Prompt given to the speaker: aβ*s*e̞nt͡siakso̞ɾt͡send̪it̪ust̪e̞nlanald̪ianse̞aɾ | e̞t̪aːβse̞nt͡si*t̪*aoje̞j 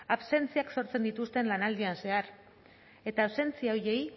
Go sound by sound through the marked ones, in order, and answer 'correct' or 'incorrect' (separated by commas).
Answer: correct, incorrect